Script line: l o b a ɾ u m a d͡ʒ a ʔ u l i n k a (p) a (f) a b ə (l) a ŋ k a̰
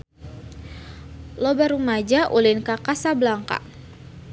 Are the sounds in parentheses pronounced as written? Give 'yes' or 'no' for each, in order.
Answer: no, no, yes

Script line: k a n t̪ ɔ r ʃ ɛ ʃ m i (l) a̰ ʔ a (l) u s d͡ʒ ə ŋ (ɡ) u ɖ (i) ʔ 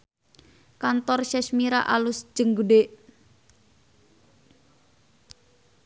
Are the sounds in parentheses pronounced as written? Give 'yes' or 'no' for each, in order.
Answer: no, yes, yes, no

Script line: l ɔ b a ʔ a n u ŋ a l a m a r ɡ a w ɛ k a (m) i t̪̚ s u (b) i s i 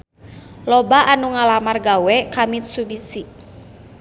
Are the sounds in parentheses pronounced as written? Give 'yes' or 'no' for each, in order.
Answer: yes, yes

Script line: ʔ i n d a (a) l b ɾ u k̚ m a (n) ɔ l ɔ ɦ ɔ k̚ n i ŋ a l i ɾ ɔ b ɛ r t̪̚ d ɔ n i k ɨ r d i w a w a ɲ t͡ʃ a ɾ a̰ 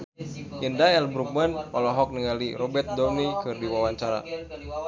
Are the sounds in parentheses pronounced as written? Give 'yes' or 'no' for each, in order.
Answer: no, yes

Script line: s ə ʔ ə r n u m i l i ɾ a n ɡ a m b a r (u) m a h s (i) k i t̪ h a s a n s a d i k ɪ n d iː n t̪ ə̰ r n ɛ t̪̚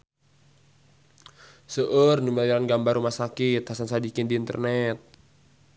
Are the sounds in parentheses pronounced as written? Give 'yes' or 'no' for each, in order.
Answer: yes, no

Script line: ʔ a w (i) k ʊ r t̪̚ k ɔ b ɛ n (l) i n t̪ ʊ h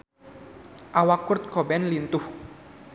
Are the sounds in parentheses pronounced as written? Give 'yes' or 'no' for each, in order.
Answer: no, yes

